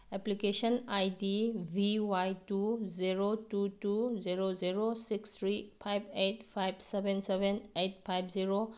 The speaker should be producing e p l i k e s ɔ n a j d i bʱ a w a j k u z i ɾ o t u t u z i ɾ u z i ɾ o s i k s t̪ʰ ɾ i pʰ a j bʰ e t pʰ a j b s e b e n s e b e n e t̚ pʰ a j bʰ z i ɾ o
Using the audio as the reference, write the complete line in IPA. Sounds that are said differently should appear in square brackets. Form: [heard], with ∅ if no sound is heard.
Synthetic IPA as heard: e p l i k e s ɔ n a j d i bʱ [i] w a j [t] u z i ɾ o t u t u z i ɾ [o] z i ɾ o s i k s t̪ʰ ɾ i pʰ a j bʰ e t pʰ a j b s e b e n s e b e n e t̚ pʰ a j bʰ z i ɾ o